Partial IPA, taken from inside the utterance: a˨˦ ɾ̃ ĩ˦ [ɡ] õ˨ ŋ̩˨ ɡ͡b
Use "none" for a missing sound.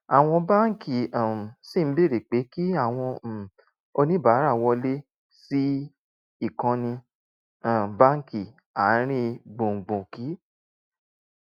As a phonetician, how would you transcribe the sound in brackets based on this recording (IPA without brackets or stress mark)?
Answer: ɡ͡b